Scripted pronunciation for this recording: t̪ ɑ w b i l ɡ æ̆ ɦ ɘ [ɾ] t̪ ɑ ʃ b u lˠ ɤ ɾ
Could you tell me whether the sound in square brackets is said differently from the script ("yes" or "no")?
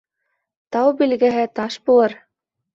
yes